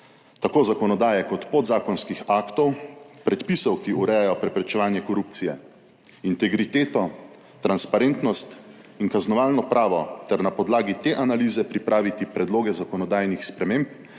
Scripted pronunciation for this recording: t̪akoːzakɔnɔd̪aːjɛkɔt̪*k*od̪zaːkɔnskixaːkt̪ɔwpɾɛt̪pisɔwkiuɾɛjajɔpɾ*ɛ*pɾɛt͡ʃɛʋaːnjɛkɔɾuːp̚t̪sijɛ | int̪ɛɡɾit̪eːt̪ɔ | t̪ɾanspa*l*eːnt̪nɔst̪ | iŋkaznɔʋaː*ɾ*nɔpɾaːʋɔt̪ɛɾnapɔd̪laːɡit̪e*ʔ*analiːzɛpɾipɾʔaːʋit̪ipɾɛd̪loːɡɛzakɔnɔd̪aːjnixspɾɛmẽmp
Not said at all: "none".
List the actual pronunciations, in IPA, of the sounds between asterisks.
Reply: p, ɛ, ɾ, l, ʔ

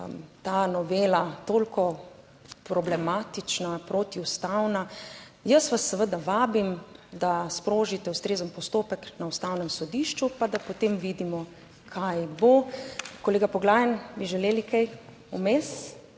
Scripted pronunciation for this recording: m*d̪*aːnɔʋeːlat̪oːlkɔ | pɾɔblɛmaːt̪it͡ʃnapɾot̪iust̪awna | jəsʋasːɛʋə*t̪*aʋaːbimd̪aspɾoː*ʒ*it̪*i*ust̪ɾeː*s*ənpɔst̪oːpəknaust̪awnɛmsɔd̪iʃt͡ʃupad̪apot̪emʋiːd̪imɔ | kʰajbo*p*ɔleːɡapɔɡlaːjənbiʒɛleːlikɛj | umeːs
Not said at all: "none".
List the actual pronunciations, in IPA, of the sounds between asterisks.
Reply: t̪, d̪, ʒ, ɛ, z, k

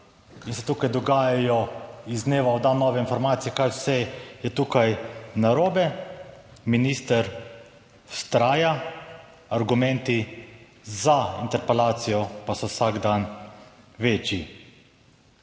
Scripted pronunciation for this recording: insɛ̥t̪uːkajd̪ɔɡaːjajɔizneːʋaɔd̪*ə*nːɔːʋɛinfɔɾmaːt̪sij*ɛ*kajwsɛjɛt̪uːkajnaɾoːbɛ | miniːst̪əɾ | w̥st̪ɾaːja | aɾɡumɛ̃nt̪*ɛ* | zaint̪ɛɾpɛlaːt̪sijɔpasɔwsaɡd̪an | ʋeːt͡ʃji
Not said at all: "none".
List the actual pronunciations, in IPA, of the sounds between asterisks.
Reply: a, ɛ, i

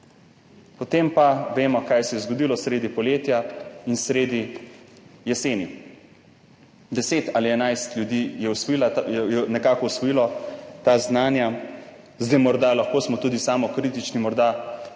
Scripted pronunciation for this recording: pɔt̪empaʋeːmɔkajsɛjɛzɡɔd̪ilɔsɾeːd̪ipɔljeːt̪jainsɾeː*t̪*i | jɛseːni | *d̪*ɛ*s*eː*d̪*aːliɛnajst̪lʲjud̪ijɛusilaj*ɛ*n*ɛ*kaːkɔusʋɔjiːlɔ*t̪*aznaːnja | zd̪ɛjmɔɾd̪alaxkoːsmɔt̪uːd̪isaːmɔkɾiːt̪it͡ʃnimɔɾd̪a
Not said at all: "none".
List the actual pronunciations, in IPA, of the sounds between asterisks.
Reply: d̪, d̪, s, t̪, ɛ, ɛ, t̪

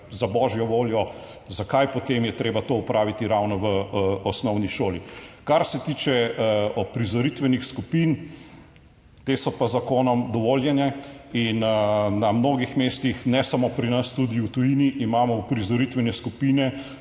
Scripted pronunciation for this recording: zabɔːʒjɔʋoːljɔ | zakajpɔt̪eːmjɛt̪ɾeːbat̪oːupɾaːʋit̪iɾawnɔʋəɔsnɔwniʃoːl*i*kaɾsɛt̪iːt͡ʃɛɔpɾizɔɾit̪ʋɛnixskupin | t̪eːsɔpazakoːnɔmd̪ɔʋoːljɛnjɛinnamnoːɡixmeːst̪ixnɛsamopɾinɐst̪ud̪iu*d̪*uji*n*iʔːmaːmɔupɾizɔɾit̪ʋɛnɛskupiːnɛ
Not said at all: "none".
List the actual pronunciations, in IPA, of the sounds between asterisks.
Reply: i, t̪, n

